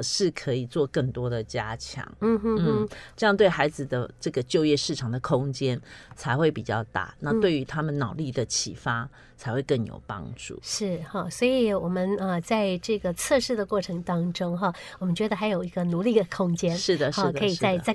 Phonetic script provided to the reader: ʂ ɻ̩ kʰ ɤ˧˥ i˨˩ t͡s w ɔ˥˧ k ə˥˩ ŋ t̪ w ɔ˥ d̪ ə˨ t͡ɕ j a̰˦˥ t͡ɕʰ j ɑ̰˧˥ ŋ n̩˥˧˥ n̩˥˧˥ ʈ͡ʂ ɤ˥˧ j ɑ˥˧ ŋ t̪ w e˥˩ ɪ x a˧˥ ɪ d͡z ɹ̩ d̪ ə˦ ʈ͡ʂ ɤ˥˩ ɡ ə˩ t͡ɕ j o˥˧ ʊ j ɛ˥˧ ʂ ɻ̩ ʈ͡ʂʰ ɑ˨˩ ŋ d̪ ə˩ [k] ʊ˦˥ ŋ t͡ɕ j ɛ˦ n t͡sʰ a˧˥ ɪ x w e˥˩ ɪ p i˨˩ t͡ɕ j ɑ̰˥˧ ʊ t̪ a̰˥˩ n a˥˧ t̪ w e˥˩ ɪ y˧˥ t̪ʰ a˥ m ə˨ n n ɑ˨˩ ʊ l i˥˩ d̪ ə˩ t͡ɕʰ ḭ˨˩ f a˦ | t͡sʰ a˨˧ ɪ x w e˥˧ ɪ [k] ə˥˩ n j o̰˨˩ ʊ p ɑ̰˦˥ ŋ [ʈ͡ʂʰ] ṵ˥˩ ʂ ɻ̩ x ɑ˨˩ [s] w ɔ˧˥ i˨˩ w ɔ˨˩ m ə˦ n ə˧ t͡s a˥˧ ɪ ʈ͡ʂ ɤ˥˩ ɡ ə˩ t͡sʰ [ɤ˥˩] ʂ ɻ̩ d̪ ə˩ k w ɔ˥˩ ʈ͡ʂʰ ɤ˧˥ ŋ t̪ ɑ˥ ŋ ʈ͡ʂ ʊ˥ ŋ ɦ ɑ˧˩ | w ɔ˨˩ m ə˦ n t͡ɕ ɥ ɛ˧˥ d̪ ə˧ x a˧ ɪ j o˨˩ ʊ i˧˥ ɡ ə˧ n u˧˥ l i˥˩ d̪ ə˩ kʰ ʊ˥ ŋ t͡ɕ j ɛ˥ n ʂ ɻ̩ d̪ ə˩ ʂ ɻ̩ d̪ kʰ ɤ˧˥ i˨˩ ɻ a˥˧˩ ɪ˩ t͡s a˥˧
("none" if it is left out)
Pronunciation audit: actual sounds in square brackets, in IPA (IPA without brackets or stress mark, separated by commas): kʰ, k, ʈ͡ʂ, s, ɤ˥˧